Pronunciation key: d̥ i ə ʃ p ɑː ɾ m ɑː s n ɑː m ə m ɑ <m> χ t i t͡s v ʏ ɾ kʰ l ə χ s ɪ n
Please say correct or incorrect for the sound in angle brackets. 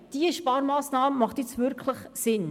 incorrect